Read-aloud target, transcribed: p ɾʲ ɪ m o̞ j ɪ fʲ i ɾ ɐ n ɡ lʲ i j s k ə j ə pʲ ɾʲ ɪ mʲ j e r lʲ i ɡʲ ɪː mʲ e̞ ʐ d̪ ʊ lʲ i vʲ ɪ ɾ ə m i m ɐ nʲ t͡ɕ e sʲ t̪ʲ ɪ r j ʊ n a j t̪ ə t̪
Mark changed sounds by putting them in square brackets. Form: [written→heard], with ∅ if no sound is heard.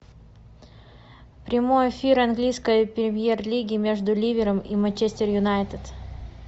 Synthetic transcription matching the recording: p ɾʲ ɪ m o̞ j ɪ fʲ i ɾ ɐ n ɡ lʲ i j s k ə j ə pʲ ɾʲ ɪ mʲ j e r lʲ i ɡʲ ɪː mʲ e̞ ʐ d̪ ʊ lʲ i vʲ ɪ ɾ ə m i m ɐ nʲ t͡ɕ e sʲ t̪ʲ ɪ r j ʊ n a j t̪ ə t̪